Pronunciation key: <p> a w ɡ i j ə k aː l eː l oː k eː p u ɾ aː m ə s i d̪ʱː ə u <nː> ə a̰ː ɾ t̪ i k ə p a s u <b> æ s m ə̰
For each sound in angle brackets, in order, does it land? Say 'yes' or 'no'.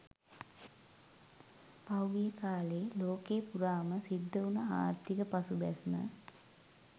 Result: yes, no, yes

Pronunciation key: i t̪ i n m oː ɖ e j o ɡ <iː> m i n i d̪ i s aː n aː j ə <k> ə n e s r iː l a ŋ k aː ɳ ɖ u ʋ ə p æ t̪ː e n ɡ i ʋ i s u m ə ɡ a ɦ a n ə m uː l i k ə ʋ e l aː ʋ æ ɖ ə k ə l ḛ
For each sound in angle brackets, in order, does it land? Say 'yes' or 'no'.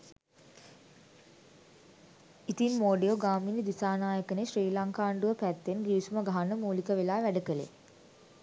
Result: no, yes

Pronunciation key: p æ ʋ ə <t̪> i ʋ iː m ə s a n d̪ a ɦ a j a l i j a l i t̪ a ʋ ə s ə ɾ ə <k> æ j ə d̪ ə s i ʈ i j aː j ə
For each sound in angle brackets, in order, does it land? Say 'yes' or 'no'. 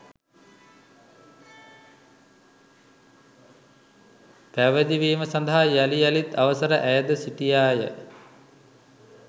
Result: no, no

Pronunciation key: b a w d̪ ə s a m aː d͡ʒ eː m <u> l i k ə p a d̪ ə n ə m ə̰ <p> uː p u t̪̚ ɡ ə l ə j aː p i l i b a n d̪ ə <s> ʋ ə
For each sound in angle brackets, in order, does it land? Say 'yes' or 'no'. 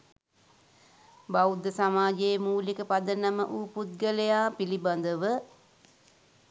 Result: no, no, no

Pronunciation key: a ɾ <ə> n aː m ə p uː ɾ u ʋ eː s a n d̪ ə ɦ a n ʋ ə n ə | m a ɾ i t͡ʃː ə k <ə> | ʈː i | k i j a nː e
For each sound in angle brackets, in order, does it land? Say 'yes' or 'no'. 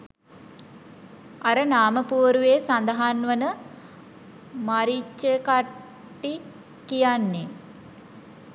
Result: yes, no

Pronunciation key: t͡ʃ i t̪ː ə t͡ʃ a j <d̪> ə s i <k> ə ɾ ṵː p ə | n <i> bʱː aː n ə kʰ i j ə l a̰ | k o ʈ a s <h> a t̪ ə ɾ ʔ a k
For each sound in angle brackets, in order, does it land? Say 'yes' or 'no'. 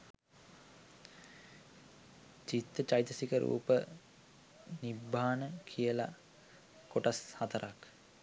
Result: no, yes, yes, yes

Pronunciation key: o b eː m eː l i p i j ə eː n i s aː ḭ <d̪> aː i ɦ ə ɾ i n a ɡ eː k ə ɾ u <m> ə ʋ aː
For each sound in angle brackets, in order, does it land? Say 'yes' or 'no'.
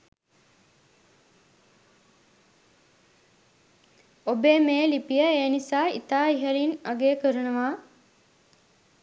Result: no, no

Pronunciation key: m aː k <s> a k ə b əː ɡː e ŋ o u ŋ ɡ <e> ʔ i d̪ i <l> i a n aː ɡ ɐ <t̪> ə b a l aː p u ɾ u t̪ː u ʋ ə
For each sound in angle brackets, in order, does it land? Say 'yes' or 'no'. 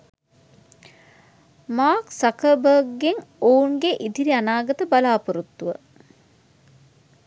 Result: yes, yes, no, yes

